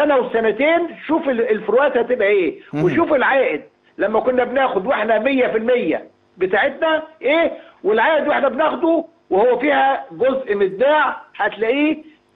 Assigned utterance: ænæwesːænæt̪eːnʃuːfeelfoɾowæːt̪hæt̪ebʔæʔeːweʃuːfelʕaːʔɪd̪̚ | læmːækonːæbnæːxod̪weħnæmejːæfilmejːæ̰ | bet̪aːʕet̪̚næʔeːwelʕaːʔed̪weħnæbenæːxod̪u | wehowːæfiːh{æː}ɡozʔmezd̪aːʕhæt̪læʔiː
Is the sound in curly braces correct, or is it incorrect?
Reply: incorrect: æ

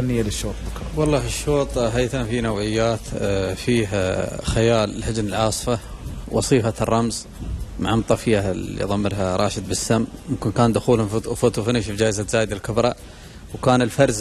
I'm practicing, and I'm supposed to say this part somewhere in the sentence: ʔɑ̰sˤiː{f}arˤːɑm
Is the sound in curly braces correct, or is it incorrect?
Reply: correct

